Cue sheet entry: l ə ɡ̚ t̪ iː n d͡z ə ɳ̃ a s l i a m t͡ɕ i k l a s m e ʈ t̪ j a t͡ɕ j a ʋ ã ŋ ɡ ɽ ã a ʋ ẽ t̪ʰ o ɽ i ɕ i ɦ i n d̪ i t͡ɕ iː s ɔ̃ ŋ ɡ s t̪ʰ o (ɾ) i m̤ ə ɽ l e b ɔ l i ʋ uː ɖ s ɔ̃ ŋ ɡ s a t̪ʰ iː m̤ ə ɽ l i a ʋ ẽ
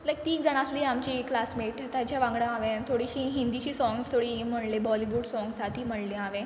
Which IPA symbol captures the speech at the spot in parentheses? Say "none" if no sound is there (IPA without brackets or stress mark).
ɽ